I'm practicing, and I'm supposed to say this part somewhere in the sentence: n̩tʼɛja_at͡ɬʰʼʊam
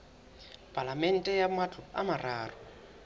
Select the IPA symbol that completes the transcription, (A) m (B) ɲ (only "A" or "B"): A